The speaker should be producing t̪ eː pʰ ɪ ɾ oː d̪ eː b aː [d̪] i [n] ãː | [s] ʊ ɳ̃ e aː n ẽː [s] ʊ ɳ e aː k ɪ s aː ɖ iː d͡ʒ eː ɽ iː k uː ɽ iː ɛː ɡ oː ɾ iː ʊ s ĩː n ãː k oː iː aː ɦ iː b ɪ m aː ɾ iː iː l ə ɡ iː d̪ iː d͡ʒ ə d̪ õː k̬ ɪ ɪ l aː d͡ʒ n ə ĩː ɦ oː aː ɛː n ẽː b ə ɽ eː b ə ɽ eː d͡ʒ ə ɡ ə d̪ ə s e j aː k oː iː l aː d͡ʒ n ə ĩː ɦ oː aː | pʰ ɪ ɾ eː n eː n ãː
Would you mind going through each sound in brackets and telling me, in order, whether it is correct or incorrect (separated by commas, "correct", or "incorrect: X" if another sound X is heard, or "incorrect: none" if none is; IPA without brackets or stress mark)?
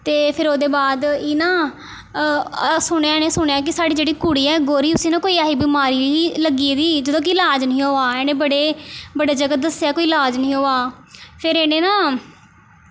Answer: correct, correct, correct, correct